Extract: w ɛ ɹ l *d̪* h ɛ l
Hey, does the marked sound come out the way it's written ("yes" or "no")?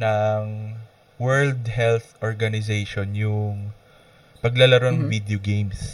yes